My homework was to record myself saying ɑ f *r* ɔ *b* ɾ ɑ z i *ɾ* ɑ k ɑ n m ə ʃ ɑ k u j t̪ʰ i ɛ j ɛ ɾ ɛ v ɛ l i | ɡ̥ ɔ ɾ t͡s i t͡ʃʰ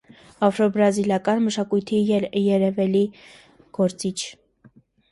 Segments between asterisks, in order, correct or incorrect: incorrect, correct, incorrect

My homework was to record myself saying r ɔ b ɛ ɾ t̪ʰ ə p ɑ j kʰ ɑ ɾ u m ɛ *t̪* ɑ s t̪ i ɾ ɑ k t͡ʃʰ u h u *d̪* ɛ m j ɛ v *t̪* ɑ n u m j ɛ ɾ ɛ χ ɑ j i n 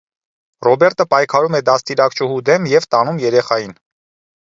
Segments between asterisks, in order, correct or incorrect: incorrect, correct, correct

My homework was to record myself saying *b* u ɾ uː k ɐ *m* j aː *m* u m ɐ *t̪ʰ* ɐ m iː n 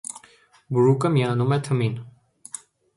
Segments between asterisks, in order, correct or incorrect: correct, correct, incorrect, correct

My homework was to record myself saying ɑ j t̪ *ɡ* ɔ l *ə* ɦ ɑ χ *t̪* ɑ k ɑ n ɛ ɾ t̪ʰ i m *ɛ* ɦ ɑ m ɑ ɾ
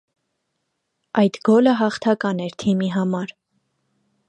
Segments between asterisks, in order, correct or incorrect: correct, correct, incorrect, incorrect

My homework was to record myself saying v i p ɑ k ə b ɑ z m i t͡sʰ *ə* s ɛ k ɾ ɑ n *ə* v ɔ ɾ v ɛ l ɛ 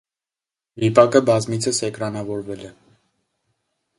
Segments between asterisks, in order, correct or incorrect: correct, incorrect

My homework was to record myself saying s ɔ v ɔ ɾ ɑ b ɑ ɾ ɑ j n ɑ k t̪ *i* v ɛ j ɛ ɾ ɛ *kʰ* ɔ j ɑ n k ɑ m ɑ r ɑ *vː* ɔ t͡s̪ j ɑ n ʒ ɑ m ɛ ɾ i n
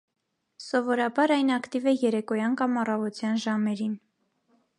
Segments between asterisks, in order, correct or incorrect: correct, incorrect, incorrect

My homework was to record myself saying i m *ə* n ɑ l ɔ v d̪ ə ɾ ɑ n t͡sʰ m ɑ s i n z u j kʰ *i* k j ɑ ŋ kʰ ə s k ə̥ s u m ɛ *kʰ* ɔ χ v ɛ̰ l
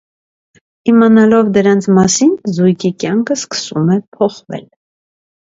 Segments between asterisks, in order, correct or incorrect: incorrect, correct, incorrect

